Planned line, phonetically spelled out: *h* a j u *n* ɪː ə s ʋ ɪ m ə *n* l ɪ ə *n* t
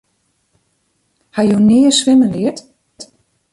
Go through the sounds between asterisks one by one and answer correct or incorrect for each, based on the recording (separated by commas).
correct, correct, correct, incorrect